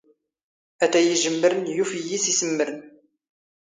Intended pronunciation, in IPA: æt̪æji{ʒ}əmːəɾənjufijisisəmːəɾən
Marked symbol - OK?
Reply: yes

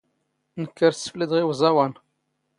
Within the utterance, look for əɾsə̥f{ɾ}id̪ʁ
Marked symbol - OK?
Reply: no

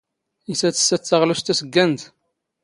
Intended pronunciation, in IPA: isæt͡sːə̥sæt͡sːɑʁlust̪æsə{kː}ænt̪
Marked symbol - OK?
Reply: no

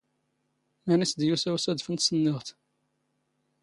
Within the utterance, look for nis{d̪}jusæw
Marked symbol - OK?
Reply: yes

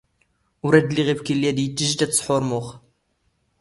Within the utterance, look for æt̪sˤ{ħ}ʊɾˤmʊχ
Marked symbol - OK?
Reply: yes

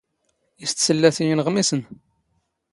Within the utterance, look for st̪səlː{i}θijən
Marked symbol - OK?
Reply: no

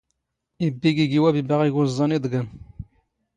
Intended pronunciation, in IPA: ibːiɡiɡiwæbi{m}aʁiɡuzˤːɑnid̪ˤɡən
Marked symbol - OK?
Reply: no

